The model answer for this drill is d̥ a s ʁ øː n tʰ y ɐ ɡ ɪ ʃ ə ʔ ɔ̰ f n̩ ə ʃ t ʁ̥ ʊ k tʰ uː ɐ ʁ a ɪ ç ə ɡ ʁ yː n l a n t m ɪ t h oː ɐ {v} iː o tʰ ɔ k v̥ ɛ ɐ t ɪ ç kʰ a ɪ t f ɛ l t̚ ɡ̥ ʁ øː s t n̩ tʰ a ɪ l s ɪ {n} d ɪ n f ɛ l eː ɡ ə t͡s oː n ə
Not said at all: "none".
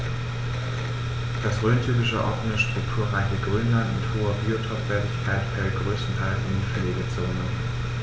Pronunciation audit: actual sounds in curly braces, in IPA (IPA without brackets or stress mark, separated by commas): b, n